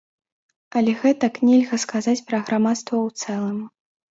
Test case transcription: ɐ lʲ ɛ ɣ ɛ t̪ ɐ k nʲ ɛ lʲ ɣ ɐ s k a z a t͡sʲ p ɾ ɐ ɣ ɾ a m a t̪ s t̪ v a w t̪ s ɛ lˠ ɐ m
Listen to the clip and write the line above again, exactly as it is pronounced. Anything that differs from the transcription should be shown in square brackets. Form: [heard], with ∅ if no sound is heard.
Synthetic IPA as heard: ɐ lʲ ɛ ɣ ɛ t̪ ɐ k nʲ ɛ lʲ ɣ ɐ s k a z a t͡sʲ p ɾ ɐ ɣ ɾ a m a t̪ s t̪ v [ɐ] w t̪ s ɛ lˠ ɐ m